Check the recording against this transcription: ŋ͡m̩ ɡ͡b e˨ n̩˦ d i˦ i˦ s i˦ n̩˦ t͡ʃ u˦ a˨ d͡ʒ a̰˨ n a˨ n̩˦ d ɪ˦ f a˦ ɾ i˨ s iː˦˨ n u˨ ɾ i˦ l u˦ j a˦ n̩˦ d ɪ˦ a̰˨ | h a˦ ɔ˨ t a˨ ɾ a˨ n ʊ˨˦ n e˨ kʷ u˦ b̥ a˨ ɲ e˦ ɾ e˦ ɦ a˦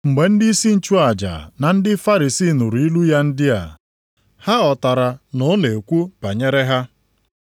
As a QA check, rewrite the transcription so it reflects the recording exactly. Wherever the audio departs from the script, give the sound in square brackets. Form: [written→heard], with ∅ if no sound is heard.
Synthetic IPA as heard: ŋ͡m̩ ɡ͡b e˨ n̩˦ d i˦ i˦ s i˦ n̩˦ t͡ʃ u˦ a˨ d͡ʒ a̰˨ n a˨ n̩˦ d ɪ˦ f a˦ ɾ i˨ s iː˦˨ n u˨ ɾ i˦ l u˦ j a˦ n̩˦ d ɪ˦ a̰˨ | h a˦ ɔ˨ t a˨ ɾ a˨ n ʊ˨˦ n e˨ kʷ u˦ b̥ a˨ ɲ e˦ ɾ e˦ ɦ a˦